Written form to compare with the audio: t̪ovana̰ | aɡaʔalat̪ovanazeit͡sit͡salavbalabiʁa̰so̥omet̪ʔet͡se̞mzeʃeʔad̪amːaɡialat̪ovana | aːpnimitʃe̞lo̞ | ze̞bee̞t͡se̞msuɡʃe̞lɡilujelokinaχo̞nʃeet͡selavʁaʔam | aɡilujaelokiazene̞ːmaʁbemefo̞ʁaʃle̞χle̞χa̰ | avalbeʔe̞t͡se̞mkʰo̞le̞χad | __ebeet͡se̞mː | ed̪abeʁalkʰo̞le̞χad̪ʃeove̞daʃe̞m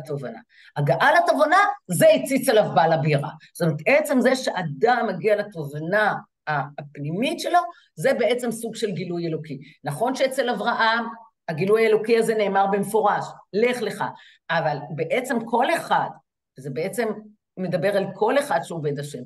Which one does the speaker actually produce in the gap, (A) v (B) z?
B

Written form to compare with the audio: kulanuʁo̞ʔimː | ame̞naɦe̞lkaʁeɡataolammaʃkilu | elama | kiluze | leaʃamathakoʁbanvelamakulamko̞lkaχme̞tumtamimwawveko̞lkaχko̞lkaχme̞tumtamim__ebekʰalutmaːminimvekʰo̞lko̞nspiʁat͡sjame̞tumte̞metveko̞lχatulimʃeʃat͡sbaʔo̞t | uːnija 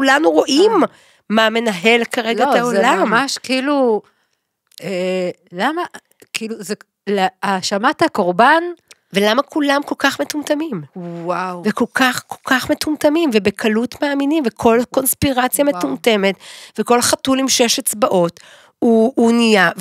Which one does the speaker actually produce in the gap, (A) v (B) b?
A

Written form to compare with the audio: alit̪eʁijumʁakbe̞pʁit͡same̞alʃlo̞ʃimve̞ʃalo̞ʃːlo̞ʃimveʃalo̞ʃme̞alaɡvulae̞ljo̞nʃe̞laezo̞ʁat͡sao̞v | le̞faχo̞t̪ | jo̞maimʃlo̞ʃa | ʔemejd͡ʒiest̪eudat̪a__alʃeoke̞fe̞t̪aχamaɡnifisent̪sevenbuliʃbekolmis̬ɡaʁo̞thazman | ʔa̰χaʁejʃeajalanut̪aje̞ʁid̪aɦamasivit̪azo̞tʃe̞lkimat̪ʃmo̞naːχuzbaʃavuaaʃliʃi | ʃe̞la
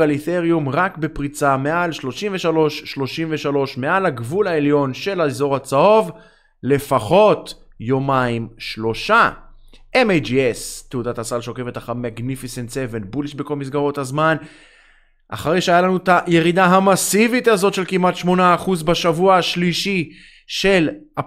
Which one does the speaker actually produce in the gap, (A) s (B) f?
A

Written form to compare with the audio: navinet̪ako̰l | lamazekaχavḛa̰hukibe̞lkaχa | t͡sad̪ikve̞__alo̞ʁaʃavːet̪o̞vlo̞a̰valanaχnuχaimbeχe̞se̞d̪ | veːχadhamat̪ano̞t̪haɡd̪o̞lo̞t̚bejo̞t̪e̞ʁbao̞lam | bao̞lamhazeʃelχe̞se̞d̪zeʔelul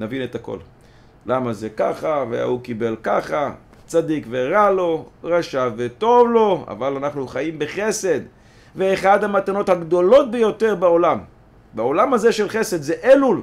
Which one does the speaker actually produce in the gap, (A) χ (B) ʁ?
B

